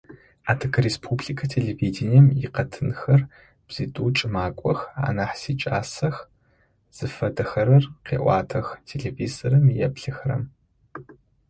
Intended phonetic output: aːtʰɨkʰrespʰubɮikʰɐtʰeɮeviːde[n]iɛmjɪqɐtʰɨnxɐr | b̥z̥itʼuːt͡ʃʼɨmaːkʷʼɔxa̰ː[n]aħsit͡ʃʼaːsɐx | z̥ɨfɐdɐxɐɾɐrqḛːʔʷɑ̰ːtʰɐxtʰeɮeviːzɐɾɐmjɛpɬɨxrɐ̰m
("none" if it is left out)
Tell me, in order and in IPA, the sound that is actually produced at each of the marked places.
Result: n, n

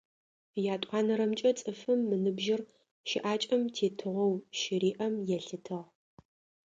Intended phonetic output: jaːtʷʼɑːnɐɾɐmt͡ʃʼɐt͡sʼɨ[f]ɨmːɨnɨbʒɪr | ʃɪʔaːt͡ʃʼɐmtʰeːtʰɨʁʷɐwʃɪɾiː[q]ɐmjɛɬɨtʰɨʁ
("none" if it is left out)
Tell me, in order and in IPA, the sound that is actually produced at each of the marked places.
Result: f, ʔ

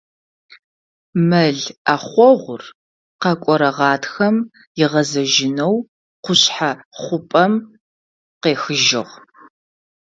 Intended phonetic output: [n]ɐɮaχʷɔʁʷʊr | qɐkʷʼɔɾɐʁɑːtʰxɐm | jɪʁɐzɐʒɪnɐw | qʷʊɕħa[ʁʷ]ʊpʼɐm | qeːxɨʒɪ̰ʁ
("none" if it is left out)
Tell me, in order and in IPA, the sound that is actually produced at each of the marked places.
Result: m, χʷ

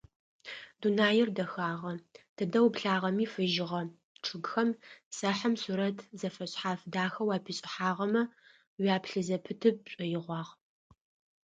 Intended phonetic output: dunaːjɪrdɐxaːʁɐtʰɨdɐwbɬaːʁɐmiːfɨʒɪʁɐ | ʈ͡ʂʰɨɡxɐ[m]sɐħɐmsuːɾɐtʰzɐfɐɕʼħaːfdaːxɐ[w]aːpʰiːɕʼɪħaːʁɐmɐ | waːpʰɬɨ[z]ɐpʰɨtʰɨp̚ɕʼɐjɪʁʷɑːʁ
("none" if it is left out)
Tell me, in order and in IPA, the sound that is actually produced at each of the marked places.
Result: m, w, z

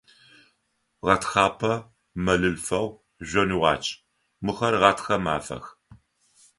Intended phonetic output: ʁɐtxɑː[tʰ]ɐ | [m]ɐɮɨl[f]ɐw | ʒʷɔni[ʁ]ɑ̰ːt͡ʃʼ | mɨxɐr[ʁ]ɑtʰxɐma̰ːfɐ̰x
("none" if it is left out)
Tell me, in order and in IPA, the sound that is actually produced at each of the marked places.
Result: pʰ, m, f, ʁ, ʁ

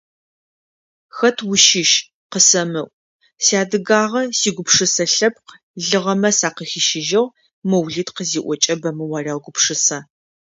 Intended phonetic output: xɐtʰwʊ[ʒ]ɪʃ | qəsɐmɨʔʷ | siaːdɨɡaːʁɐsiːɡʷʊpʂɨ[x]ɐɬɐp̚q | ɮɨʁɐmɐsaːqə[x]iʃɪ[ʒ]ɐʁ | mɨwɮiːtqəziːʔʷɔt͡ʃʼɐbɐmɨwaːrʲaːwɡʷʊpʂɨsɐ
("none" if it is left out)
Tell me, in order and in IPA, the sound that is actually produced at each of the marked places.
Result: ʃ, s, x, ʒ

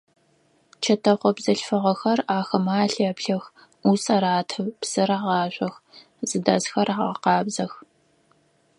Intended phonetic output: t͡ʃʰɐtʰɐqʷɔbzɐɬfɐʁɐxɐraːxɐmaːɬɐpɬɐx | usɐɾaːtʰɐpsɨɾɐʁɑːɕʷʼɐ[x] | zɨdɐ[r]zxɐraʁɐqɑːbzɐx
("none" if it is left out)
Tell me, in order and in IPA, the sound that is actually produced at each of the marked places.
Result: x, none

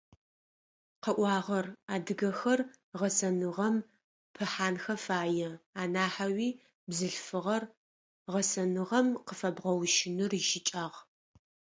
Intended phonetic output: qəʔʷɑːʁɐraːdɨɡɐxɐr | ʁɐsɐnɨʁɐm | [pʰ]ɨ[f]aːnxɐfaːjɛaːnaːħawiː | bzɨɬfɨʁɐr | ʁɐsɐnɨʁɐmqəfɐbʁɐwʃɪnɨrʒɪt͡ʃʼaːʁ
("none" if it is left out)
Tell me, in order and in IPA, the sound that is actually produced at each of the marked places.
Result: pʰ, ħ

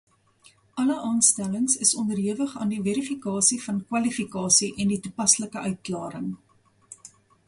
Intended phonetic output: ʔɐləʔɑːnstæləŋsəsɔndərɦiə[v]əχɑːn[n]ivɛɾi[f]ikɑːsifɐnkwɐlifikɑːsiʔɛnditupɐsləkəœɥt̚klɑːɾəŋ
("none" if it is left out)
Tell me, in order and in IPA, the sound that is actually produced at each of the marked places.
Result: v, d, f

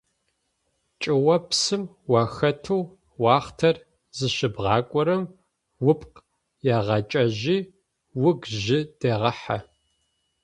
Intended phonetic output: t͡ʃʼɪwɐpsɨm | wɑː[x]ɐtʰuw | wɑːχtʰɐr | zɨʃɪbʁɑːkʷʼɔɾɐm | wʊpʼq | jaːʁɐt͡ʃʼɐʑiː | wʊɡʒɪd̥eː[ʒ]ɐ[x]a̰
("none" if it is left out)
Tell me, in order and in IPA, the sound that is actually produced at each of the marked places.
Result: x, ʁ, ħ

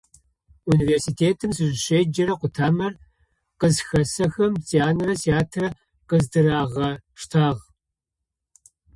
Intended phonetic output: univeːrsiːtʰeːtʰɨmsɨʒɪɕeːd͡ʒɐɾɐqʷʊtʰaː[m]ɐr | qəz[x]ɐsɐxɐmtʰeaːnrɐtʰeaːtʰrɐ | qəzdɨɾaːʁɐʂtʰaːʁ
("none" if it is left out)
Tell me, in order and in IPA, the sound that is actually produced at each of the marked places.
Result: m, x

